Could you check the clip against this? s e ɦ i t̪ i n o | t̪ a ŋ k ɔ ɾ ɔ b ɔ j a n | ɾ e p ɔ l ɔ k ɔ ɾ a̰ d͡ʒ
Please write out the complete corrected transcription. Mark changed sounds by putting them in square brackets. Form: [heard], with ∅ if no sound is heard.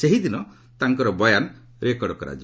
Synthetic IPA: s e ɦ i [d̪] i n [ɔ] | t̪ a ŋ k ɔ ɾ ɔ b ɔ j a n | ɾ e [k] ɔ [ɽ] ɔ k ɔ ɾ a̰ d͡ʒ